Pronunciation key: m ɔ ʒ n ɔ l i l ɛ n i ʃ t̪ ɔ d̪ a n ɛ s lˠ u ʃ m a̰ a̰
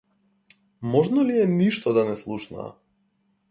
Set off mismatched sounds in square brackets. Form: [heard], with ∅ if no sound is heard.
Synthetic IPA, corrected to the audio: m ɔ ʒ n ɔ l i [∅] ɛ n i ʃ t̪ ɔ d̪ a n ɛ s lˠ u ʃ [n] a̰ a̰